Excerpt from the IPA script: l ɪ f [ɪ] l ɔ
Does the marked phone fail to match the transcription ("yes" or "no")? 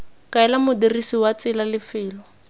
yes